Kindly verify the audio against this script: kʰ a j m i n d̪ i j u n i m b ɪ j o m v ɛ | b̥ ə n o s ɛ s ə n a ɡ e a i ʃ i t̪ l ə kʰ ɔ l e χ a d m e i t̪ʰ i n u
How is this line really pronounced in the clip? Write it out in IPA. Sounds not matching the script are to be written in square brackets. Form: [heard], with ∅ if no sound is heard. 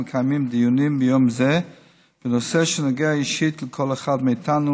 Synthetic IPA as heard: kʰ a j m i [m] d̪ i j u n i m b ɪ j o m [z] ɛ | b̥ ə n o s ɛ [ʃ] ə n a ɡ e a i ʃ i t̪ l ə kʰ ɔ l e χ a d m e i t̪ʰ [a] n u

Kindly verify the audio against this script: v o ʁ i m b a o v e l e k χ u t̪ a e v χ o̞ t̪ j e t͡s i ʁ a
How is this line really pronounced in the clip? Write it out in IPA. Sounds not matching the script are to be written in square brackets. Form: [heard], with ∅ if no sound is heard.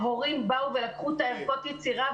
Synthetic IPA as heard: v o ʁ i m b a [u] v e l [a] k χ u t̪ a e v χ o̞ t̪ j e t͡s i ʁ a

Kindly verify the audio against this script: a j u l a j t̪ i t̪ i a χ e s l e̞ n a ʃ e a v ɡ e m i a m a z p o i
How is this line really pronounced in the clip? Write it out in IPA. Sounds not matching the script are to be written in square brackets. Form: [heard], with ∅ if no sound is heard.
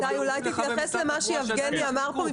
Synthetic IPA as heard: a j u l a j t̪ i t̪ [j] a χ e s l e̞ [m] a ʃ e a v ɡ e [n] i a m a [ʁ] p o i

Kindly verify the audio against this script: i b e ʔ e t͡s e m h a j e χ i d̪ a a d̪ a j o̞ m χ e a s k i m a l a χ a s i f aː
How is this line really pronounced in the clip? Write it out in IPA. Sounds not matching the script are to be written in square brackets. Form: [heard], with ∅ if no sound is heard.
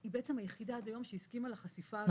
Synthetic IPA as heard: i b e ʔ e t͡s e m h a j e χ i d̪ a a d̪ a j o̞ m [ʃ] e [i] s k i m a l a χ a s i f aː

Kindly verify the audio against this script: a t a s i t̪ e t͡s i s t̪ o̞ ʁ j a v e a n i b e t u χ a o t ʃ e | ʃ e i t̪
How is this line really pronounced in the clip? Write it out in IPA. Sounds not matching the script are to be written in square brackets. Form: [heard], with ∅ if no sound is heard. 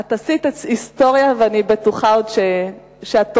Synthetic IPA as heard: a t a s i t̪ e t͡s i s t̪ o̞ ʁ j a v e a n i b e t u χ a o [d] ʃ e | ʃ e [a] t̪

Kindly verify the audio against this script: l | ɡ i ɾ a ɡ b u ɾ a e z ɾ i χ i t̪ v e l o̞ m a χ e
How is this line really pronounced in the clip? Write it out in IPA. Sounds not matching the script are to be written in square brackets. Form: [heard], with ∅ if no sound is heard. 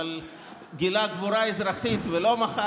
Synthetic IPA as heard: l | ɡ i [l] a ɡ [v] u ɾ a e z ɾ [a] χ i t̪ v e l o̞ m a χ [a]

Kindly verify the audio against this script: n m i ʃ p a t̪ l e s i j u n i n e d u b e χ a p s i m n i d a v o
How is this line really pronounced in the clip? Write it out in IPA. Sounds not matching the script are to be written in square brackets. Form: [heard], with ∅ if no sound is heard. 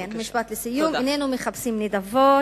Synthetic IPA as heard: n m i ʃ p a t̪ l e s i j u [m] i n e [n] u [m] e χ a p s i m n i d a v o

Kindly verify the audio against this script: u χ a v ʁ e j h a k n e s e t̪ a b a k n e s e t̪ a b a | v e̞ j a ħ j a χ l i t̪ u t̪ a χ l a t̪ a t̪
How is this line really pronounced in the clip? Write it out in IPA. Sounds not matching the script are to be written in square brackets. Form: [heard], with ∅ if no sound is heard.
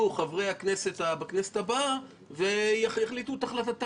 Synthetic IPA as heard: u χ a v ʁ e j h a k n e s e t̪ a b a k n e s e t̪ a b a | v e̞ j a [χ] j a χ l i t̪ u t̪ a χ l a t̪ a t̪

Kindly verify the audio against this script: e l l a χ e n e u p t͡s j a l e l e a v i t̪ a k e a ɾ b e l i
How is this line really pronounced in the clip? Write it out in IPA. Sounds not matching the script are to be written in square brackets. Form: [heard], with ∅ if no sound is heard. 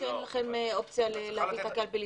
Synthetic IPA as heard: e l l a χ e [m] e [o] p t͡s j a l e l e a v i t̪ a k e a [l] b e l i

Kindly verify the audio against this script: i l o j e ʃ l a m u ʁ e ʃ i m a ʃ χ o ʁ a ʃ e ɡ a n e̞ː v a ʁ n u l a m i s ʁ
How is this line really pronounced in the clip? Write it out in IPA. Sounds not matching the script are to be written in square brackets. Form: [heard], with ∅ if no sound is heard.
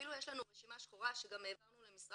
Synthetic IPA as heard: i l [u] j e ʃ l a [n] u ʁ e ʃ i m a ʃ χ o ʁ a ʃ e ɡ a [m] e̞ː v a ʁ n u l [e] m i s ʁ

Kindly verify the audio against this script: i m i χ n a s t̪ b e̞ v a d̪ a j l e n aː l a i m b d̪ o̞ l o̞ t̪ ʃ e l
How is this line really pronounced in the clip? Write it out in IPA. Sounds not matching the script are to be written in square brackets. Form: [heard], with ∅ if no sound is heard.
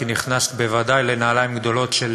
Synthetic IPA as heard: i [n] i χ n a s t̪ b e̞ v a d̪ a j l e n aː l a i m [ɡ] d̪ o̞ l o̞ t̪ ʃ e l

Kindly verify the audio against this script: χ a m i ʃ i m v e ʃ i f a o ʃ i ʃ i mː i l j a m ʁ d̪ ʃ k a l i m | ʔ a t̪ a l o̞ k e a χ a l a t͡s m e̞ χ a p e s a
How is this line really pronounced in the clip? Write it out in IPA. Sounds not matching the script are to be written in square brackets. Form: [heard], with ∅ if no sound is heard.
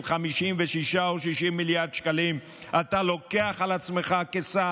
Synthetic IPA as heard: χ a m i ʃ i m v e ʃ i [ʃ] a o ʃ i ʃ i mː i l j a [∅] ʁ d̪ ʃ k a l i m | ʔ a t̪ a l o̞ k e a χ a l a t͡s m e̞ χ a [k] e s a

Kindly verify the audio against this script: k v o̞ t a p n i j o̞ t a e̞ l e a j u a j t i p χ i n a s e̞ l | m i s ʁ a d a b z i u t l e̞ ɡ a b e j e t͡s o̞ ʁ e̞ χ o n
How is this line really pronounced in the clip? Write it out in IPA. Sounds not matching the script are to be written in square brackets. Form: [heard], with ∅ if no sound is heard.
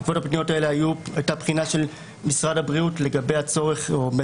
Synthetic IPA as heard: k v o̞ t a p n i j o̞ t a e̞ l e a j u a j t [a] p χ i n a [ʃ] e̞ l | m i s ʁ a d a b [ʁ] i u t l e̞ ɡ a b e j [a] t͡s o̞ ʁ e̞ χ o [m]

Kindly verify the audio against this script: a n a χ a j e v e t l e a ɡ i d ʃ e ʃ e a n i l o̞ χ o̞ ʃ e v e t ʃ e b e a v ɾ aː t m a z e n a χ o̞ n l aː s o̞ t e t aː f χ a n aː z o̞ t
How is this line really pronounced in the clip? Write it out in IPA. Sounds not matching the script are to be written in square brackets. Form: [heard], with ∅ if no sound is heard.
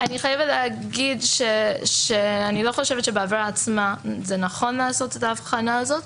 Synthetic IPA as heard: a n [i] χ a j e v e t l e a ɡ i d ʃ e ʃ e a n i l o̞ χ o̞ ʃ e v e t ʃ e b e a v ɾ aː [t͡s] m a z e n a χ o̞ n l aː s o̞ t e t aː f χ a n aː z o̞ t

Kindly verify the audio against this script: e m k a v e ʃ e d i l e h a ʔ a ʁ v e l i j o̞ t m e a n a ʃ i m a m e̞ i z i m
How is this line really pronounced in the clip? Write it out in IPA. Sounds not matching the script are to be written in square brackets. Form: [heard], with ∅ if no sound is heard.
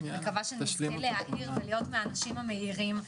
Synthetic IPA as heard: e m k a v [a] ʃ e [n] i l e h a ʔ [i] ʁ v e l i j o̞ t m e a n a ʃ i m a m e̞ i [ʁ] i m

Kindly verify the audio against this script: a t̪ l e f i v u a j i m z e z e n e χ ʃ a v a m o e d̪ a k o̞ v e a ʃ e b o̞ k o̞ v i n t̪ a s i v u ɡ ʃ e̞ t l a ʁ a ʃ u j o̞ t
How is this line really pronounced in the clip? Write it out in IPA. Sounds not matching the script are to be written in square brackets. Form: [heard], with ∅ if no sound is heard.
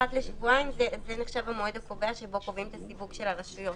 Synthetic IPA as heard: a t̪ l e [ʃ] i v u a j i m z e z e n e χ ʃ a v a m o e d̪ a k o̞ v e a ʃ e b o̞ k o̞ v i [m] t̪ a s i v u ɡ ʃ e̞ [∅] l a ʁ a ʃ u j o̞ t

